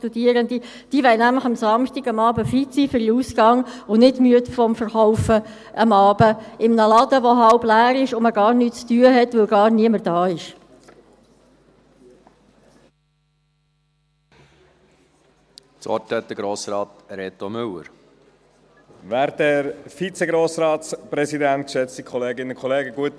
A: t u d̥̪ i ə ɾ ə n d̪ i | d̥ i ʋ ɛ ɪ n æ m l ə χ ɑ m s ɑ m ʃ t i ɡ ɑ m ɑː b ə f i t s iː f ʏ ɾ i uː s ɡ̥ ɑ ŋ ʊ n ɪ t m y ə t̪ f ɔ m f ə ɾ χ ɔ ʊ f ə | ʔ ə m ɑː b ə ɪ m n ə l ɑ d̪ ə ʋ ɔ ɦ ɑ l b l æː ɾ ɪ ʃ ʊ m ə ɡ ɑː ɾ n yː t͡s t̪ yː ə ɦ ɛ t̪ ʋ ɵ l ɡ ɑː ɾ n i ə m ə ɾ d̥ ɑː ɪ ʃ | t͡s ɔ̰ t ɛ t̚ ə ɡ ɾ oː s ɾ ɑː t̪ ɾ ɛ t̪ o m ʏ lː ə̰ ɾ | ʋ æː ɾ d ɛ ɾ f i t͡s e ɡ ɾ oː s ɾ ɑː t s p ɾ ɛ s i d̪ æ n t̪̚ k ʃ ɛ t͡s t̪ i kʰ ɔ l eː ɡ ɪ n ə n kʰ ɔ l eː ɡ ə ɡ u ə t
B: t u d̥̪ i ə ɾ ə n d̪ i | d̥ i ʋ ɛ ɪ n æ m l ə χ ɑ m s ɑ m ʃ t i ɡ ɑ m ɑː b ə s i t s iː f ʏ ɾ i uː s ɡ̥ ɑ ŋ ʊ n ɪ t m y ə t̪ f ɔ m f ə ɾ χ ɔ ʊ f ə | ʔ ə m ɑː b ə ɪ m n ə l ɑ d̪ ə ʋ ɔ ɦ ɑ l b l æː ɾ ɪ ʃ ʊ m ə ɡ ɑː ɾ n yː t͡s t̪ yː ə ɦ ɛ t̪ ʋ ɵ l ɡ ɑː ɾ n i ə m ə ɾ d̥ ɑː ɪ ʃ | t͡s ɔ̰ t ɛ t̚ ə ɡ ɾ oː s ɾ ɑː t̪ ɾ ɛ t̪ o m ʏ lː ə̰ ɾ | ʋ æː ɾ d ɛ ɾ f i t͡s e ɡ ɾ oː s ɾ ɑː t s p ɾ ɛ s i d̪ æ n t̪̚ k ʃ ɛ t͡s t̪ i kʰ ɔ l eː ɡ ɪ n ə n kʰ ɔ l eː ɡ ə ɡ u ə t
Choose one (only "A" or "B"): A